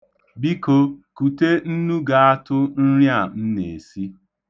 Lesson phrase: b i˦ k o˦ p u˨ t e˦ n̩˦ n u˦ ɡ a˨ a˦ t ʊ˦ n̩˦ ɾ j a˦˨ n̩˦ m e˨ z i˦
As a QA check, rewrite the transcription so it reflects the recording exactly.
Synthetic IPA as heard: b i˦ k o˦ k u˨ t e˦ n̩˦ n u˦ ɡ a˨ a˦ t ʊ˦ n̩˦ ɾ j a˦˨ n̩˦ n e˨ s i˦